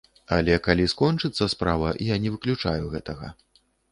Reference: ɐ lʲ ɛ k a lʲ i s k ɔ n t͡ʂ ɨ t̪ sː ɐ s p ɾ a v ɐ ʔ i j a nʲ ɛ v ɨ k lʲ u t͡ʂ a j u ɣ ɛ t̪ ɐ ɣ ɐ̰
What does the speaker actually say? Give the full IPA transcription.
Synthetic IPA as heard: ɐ lʲ ɛ k a lʲ i s k ɔ n t͡ʂ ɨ t̪ sː ɐ s p ɾ a v ɐ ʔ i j a nʲ ɛ v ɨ k lʲ u t͡ʂ a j u ɣ ɛ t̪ ɐ ɣ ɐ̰